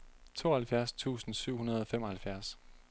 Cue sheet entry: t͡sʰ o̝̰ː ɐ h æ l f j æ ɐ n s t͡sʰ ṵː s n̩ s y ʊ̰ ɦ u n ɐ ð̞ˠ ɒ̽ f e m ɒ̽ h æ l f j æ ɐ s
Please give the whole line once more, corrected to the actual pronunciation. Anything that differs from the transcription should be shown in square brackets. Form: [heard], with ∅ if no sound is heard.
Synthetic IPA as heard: t͡sʰ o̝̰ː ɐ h æ l f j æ ɐ [∅] s t͡sʰ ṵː s n̩ s y ʊ̰ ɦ u n ɐ ð̞ˠ ɒ̽ f e m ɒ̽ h æ l f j æ ɐ s